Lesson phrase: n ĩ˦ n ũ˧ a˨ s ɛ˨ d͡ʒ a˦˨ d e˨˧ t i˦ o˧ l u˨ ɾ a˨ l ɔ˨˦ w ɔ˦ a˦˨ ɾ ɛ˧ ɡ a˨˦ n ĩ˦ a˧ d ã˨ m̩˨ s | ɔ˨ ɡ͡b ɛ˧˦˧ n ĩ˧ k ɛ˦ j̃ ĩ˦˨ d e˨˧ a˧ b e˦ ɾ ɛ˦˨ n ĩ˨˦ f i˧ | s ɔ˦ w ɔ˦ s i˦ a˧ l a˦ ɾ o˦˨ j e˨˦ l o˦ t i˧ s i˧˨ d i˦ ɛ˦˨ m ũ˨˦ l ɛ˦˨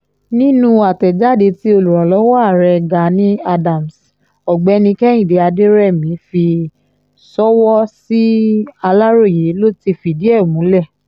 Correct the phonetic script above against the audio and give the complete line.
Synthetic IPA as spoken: n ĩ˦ n ũ˧ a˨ t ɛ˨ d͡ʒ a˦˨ d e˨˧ t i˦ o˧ l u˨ ɾ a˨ l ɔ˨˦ w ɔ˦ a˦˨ ɾ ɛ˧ ɡ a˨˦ n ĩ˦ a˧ d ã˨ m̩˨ s | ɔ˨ ɡ͡b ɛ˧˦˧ n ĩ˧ k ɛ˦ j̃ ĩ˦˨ d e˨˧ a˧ d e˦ ɾ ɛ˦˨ m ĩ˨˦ f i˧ | s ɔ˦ w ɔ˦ s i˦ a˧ l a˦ ɾ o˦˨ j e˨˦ l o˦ t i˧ f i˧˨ d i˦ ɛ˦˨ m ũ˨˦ l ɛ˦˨

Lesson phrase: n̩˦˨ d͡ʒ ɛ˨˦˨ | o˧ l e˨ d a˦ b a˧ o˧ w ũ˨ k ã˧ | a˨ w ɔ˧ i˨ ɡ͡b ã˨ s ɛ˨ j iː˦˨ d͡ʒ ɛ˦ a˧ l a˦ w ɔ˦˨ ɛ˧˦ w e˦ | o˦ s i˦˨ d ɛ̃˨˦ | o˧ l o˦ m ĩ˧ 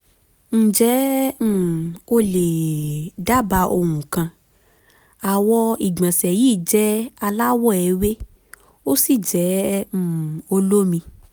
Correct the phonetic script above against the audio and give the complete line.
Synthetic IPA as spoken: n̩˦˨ d͡ʒ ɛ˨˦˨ | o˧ l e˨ d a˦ b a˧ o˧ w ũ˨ k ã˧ | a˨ w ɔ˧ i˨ ɡ͡b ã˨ s ɛ˨ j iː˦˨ d͡ʒ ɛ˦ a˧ l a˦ w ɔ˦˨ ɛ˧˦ w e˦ | o˦ s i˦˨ d͡ʒ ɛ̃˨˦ | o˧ l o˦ m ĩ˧

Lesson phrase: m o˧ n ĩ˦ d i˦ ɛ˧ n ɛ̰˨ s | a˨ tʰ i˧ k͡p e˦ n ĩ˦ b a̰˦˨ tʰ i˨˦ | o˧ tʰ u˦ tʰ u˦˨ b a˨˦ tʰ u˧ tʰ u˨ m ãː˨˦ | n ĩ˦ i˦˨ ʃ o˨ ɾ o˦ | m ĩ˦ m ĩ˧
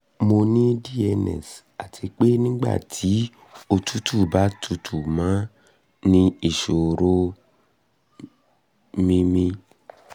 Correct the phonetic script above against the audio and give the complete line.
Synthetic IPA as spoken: m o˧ n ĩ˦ d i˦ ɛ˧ n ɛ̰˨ s | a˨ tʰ i˧ k͡p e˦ n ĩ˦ ɡ͡b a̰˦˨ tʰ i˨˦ | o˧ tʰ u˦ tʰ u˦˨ b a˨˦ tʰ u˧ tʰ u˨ m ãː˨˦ | n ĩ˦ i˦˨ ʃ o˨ ɾ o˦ | m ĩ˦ m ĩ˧

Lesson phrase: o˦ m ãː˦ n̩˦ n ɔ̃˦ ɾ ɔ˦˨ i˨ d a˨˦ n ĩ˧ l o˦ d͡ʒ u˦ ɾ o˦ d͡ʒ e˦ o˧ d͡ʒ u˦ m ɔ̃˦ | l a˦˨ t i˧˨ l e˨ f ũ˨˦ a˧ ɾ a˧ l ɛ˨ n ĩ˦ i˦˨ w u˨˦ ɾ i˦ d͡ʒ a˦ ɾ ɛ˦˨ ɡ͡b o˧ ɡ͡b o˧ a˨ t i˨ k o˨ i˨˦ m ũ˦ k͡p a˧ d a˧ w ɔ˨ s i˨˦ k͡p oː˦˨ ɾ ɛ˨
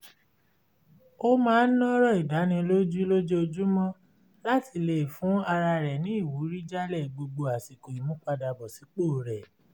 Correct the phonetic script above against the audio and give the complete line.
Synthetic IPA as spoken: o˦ m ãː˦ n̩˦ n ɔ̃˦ ɾ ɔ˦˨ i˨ d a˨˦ n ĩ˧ l o˦ d͡ʒ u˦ l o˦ d͡ʒ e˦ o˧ d͡ʒ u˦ m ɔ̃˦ | l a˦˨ t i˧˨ l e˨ f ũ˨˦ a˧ ɾ a˧ ɾ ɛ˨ n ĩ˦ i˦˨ w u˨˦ ɾ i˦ d͡ʒ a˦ l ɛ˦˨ ɡ͡b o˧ ɡ͡b o˧ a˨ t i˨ k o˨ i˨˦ m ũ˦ k͡p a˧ d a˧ b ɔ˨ s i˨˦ k͡p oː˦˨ ɾ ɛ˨

